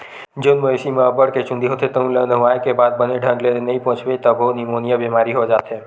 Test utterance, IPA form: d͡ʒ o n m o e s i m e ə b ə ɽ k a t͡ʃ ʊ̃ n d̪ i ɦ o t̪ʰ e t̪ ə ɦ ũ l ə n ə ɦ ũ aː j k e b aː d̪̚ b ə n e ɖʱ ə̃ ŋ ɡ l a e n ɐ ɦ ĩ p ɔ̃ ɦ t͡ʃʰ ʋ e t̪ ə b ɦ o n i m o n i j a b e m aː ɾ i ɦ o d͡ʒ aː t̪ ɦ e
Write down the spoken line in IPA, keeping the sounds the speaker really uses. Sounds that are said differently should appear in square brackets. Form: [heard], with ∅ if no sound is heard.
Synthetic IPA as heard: d͡ʒ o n m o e s i m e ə b ə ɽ k [e] t͡ʃ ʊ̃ n d̪ i ɦ o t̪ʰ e t̪ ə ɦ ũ l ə n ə ɦ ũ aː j k e b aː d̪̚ b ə n e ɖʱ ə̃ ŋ ɡ l [e] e n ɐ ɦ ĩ p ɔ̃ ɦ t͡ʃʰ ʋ e t̪ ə b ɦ o n i m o n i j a b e m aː ɾ i ɦ o d͡ʒ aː t̪ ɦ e